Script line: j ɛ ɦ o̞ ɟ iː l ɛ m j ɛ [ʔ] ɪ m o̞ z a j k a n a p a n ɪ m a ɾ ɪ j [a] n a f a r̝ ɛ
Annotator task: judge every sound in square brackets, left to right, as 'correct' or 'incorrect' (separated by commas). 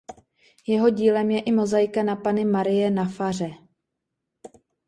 correct, incorrect